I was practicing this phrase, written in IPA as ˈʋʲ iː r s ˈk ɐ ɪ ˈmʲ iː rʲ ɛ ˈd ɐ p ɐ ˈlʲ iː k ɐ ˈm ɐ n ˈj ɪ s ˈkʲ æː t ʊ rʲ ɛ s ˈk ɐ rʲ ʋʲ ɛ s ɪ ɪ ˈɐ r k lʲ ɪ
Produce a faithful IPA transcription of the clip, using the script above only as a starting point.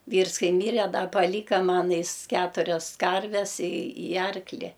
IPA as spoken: ˈʋʲ iː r s ˈk ɐ ɪ ˈmʲ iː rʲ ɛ ˈd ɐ p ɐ ˈlʲ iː k ɐ ˈm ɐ n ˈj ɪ s ˈkʲ æː t ʊ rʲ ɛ s ˈk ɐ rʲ ʋʲ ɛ s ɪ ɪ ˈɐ r k lʲ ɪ